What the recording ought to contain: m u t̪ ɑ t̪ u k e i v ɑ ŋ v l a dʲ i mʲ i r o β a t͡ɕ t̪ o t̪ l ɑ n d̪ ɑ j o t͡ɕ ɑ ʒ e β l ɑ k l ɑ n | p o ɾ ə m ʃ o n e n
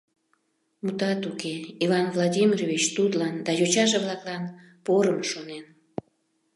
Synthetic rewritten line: m u t̪ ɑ t̪ u k e i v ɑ n v l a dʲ i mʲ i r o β i t͡ɕ t̪ u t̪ l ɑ n d̪ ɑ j o t͡ɕ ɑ ʒ e β l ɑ k l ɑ n | p o ɾ ə m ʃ o n e n

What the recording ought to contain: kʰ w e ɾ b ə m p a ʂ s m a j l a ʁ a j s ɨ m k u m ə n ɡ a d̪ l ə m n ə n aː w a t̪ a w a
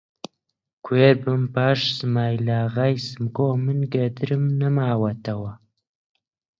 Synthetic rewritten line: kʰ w e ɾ b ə m p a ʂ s m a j l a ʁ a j s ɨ m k o m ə n ɡ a d̪ ɾ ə m n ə m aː w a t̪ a w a

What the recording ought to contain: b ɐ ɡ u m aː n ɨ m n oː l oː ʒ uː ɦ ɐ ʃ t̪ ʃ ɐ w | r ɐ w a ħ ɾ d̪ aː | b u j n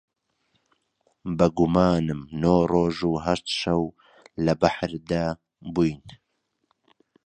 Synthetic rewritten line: b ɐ ɡ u m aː n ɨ m n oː r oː ʒ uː ɦ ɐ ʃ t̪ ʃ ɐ w | l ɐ b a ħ ɾ d̪ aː | b u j n

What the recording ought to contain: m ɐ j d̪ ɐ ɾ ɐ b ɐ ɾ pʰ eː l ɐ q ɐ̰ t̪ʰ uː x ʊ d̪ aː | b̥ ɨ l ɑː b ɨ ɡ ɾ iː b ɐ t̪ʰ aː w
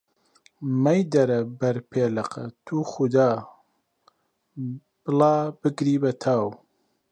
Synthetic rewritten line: m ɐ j d̪ ɐ ɾ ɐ b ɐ ɾ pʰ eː l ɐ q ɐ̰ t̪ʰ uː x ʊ d̪ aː | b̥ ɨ l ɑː b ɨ ɡ ɾ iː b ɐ t̪ʰ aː w

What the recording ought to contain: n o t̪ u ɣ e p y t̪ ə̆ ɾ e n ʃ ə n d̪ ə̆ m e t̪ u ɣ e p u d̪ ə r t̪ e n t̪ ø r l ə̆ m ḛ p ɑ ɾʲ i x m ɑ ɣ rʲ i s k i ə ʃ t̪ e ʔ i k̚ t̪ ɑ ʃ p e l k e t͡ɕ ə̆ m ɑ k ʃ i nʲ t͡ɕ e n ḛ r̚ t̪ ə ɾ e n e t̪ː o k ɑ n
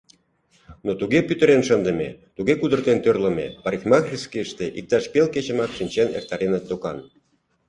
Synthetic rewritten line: n o t̪ u ɣ e p y t̪ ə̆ ɾ e n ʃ ə n d̪ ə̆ m e t̪ u ɣ e k u d̪ ə r t̪ e n t̪ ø r l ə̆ m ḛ p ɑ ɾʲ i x m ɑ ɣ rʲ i s k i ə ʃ t̪ e ʔ i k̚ t̪ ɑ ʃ p e l k e t͡ɕ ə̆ m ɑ k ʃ i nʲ t͡ɕ e n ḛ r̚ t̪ ɑ ɾ e n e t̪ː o k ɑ n

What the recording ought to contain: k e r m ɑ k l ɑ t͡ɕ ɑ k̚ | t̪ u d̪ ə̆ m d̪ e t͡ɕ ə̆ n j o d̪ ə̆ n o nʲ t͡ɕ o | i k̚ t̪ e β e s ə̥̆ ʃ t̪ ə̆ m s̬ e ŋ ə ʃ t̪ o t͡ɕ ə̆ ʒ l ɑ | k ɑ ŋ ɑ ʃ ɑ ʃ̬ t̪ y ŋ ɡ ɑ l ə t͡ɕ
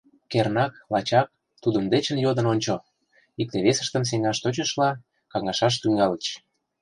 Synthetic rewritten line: k e r n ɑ k l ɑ t͡ɕ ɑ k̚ | t̪ u d̪ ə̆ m d̪ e t͡ɕ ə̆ n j o d̪ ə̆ n o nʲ t͡ɕ o | i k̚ t̪ e β e s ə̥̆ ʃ t̪ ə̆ m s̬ e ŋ ɑ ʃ t̪ o t͡ɕ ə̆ ʃ l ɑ | k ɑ ŋ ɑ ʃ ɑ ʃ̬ t̪ y ŋ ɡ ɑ l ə t͡ɕ

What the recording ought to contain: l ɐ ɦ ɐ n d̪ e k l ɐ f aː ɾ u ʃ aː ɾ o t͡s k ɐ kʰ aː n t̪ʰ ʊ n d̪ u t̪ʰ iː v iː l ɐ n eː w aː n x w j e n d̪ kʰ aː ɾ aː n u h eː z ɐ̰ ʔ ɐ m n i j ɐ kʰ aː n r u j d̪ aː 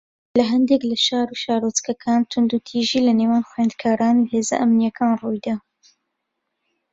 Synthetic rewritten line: l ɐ ɦ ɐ n d̪ e k l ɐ ʃ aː ɾ u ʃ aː ɾ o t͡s k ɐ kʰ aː n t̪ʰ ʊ n d̪ u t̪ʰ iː ʒ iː l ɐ n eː w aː n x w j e n d̪ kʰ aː ɾ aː n u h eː z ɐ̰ ʔ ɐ m n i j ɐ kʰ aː n r u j d̪ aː

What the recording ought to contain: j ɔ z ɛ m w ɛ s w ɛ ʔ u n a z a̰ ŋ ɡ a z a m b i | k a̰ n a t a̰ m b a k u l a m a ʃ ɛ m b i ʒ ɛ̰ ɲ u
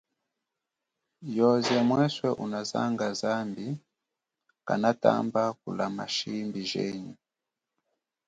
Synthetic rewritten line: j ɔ z ɛ m w ɛ s w ɛ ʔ u n a z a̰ ŋ ɡ a z a m b i | k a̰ n a t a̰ m b a k u l a m a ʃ i m b i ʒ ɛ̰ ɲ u

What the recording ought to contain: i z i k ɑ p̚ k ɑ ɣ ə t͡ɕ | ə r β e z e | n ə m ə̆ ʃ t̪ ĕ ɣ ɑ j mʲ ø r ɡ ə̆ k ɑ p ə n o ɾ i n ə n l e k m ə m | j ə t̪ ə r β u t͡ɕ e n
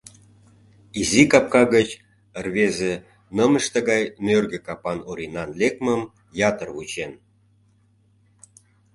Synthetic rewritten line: i z i k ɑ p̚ k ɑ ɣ ə t͡ɕ | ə r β e z e | n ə m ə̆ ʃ t̪ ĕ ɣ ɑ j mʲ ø r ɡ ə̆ k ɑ p ɑ n o ɾ i n ɑ n l e k m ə m | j ɑ t̪ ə r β u t͡ɕ e n

